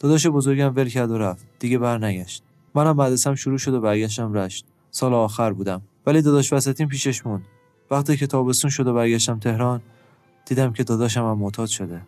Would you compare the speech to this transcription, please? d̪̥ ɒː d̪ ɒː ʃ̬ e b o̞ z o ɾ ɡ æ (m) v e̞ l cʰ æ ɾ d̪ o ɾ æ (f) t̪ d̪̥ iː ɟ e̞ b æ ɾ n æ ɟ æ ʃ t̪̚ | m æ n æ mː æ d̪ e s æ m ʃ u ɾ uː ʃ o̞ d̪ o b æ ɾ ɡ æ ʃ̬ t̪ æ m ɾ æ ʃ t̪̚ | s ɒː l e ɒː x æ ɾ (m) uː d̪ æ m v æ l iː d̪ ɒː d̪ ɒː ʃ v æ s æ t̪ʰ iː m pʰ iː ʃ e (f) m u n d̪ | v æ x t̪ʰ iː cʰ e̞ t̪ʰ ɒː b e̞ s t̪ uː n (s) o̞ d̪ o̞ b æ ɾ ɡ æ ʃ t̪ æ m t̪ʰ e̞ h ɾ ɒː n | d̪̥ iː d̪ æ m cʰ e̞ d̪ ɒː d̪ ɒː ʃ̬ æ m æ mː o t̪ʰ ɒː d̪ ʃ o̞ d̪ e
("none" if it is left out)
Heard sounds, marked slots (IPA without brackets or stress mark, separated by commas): m, f, b, ʃ, ʃ